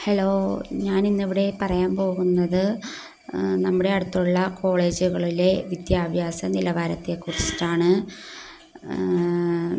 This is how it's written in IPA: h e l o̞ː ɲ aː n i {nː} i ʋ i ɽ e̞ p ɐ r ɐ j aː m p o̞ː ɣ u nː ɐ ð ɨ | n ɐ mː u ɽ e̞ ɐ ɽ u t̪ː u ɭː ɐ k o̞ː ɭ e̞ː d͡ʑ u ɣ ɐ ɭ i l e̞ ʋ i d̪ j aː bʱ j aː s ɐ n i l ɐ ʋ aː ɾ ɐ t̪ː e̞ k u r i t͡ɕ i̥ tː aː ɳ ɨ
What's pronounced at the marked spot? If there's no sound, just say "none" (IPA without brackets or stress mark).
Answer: nː